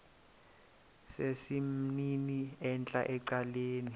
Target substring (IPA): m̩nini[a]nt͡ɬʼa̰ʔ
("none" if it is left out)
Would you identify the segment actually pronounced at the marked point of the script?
ɛ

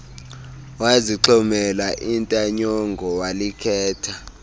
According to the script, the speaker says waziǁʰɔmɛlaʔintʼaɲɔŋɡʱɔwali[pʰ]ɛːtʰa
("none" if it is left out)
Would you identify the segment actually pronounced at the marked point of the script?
kʰ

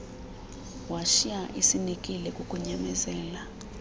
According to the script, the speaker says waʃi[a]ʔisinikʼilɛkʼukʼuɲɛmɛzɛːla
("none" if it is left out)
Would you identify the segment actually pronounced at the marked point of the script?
a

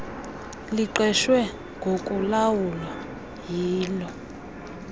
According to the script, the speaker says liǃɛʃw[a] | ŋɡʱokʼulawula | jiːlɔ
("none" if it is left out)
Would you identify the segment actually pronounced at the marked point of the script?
ɛ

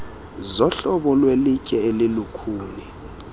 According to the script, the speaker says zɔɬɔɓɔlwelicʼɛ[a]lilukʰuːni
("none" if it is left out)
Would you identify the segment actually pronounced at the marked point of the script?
e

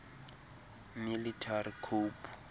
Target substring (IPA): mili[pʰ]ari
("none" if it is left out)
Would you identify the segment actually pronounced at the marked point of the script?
tʰ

